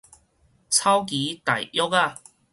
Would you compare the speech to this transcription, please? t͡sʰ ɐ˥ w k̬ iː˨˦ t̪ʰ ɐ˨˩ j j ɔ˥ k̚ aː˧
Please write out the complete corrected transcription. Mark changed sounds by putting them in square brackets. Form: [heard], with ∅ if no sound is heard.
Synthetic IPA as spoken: t͡sʰ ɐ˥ w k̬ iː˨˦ [t̪] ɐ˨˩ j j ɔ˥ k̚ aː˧